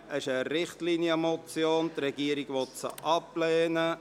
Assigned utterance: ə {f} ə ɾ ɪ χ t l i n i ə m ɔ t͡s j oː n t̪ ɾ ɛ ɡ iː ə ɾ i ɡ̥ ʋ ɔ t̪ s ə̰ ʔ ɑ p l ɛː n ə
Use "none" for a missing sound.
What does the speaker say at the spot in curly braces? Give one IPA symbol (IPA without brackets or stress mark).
ʃ